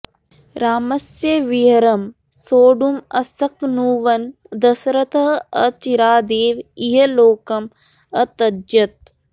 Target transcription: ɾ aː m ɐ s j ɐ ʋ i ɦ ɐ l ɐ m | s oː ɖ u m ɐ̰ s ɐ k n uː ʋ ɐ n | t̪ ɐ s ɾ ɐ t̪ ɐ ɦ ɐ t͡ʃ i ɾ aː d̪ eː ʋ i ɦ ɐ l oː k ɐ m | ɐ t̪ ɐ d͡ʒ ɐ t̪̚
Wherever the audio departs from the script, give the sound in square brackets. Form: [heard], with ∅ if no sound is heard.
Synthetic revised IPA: ɾ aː m ɐ s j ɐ ʋ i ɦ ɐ [ɾ] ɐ m | s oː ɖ u m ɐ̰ s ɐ k n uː ʋ ɐ n | [d̪] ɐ s ɾ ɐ t̪ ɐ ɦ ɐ t͡ʃ i ɾ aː d̪ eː ʋ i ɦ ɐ l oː k ɐ m | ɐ t̪ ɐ d͡ʒ ɐ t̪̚